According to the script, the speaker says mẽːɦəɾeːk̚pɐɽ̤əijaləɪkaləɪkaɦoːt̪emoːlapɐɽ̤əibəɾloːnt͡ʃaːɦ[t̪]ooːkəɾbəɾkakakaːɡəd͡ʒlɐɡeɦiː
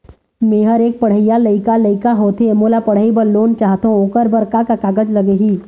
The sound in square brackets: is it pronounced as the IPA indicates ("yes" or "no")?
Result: yes